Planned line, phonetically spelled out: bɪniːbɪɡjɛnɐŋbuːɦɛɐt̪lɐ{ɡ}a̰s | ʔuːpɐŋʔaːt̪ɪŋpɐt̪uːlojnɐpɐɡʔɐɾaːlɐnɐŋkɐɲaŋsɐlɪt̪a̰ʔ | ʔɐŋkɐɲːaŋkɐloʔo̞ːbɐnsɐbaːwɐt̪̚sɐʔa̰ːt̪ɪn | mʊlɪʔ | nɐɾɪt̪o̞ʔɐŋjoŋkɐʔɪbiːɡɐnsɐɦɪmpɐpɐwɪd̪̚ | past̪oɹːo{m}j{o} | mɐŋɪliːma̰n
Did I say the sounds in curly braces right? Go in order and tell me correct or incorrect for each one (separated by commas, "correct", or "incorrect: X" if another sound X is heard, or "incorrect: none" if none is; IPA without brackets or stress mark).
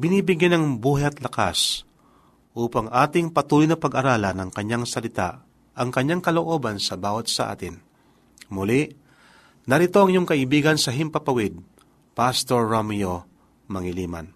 incorrect: k, correct, correct